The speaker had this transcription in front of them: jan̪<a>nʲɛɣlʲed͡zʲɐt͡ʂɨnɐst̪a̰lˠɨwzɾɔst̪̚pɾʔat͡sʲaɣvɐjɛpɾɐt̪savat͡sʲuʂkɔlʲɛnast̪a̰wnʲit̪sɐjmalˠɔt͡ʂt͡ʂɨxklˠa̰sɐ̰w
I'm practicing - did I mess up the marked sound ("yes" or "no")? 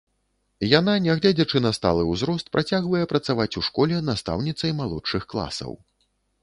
no